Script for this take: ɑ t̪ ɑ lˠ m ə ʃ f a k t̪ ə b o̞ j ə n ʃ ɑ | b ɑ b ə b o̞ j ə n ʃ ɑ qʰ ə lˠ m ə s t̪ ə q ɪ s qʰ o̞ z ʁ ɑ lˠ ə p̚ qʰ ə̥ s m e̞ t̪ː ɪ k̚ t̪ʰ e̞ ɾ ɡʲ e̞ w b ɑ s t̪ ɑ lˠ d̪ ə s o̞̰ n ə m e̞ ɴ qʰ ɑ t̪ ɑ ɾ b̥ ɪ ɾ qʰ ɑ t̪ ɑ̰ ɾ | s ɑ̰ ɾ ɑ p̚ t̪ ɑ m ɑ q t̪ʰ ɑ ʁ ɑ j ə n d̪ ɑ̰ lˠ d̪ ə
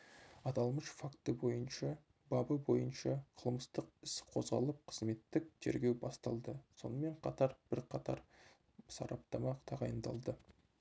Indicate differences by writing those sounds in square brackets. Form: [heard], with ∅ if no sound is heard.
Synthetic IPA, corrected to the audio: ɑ t̪ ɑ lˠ m ə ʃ f a k t̪ ə b o̞ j ə n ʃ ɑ | b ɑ b ə b o̞ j ə n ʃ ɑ qʰ ə lˠ m ə s t̪ ə q ɪ s qʰ o̞ z ʁ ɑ lˠ ə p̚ qʰ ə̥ [z] m e̞ t̪ː ɪ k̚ t̪ʰ e̞ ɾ ɡʲ e̞ w b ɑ s t̪ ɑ lˠ d̪ ə s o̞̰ n ə m e̞ ɴ qʰ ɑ t̪ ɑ ɾ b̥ ɪ ɾ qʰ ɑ t̪ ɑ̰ ɾ | s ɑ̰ ɾ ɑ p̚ t̪ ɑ m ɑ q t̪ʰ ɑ ʁ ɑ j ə n d̪ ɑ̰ lˠ d̪ ə